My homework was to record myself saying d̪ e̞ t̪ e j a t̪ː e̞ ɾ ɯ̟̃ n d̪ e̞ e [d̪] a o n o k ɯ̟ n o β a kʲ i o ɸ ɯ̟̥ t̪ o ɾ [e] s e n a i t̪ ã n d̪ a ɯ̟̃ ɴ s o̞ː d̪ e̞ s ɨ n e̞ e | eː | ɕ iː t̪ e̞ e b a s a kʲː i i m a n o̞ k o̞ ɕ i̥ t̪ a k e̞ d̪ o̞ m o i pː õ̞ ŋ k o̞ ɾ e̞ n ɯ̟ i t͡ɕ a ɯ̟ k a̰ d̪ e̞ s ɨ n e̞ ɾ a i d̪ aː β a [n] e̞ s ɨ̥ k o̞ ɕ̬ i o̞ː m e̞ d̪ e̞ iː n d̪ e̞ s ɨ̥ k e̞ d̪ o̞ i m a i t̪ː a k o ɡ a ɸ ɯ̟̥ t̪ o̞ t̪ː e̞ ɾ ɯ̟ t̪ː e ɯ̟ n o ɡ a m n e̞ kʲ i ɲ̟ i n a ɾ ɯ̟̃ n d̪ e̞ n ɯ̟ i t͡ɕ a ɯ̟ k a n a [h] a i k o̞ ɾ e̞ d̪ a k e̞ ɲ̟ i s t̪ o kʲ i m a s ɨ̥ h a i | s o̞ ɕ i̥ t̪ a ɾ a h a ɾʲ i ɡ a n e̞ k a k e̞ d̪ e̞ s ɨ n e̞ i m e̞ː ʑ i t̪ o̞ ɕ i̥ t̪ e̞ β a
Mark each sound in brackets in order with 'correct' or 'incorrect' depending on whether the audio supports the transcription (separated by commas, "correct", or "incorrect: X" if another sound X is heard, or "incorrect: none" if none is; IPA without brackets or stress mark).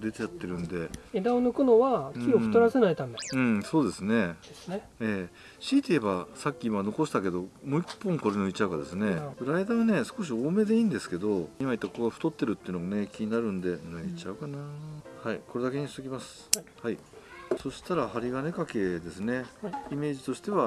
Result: correct, incorrect: a, correct, correct